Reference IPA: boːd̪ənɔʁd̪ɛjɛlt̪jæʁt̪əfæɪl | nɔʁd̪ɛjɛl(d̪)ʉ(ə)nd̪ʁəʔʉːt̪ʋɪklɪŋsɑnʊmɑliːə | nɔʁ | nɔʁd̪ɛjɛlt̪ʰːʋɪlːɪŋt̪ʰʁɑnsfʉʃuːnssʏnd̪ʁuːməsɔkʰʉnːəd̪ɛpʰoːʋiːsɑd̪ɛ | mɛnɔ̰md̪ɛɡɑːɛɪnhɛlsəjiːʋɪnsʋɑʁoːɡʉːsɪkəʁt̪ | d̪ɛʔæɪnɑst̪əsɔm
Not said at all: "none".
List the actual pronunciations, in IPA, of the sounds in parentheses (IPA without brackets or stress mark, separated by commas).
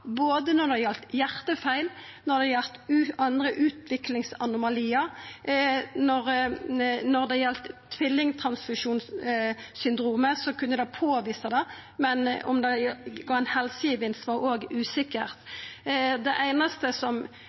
t̪, ɑ